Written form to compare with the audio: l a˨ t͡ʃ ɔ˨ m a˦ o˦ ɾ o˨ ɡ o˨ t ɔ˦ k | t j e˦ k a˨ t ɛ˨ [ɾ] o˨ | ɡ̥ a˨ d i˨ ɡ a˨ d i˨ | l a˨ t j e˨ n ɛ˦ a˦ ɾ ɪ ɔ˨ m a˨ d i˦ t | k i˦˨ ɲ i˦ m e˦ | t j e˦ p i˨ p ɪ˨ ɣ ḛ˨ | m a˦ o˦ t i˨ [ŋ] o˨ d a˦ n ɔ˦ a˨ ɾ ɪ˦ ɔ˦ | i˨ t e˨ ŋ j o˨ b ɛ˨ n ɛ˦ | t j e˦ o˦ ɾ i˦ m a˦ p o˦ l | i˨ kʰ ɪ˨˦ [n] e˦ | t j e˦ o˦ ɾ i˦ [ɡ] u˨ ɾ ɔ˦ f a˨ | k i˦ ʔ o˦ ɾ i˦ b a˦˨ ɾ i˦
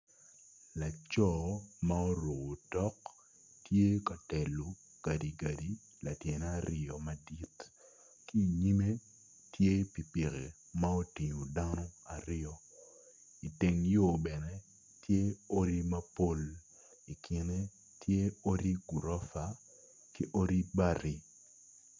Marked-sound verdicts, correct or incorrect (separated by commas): incorrect, incorrect, correct, correct